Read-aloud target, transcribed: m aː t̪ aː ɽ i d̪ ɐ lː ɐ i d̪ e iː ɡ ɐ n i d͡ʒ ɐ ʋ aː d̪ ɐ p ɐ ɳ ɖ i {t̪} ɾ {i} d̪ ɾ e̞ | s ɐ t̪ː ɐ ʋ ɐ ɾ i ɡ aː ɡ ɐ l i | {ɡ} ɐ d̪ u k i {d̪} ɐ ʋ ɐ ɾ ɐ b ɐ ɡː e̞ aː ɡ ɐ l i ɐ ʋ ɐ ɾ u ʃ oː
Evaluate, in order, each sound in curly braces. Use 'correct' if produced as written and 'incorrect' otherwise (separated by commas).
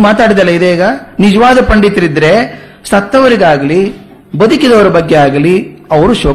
correct, correct, incorrect, correct